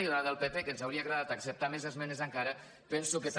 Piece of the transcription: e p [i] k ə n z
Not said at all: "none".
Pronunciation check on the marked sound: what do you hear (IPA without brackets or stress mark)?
e